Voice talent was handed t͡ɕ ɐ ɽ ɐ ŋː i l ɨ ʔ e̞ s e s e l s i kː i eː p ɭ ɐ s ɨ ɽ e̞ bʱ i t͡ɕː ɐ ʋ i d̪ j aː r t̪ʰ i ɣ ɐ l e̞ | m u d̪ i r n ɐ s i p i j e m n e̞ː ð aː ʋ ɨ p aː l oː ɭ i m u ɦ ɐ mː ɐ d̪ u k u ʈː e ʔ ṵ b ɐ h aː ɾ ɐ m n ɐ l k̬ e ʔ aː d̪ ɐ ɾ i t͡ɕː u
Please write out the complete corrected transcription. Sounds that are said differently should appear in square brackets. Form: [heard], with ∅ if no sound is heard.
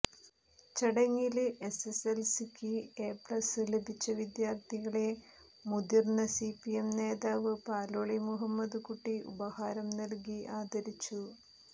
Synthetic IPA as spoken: t͡ɕ ɐ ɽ ɐ ŋː i l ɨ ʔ e̞ s e s e l s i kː i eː p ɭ ɐ s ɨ [l] e̞ bʱ i t͡ɕː ɐ ʋ i d̪ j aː r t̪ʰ i ɣ ɐ [ɭ] e̞ | m u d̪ i r n ɐ s i p i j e m n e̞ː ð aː ʋ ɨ p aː l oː ɭ i m u ɦ ɐ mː ɐ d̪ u k u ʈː [i] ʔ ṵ b ɐ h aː ɾ ɐ m n ɐ l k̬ [i] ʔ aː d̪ ɐ ɾ i t͡ɕː u